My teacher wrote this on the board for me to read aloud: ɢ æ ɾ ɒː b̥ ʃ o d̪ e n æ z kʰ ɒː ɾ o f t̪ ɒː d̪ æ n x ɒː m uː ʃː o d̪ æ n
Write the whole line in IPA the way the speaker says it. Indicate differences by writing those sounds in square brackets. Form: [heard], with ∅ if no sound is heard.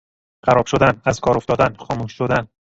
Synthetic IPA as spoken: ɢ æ ɾ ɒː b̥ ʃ o d̪ [æ] n æ z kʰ ɒː ɾ o f t̪ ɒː d̪ æ n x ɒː m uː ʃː o d̪ æ n